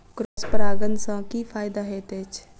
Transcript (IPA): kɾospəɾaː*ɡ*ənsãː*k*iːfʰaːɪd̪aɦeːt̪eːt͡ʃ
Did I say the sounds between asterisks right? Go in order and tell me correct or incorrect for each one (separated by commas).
correct, correct